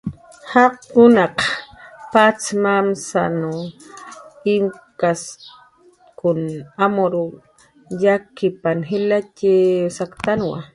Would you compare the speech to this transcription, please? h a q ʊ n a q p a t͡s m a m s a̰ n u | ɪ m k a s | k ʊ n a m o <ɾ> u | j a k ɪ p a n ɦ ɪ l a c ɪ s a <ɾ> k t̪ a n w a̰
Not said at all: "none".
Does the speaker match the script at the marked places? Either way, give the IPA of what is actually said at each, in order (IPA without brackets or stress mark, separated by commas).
ɾ, none